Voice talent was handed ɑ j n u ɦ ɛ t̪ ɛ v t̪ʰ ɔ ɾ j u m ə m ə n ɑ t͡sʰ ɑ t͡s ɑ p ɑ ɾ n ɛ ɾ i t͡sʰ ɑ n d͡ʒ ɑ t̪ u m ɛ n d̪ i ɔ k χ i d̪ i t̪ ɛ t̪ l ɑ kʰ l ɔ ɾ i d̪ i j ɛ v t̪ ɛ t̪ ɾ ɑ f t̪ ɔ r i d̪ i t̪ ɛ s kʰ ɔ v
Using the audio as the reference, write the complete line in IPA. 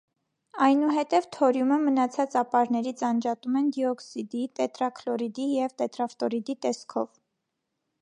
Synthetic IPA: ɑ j n u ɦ ɛ t̪ ɛ v t̪ʰ ɔ ɾ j u m ə m ə n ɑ t͡sʰ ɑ t͡s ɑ p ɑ ɾ n ɛ ɾ i t͡sʰ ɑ n d͡ʒ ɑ t̪ u m ɛ n d̪ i ɔ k s i d̪ i t̪ ɛ t̪ ɾ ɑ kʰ l ɔ ɾ i d̪ i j ɛ v t̪ ɛ t̪ ɾ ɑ f t̪ ɔ ɾ i d̪ i t̪ ɛ s kʰ ɔ v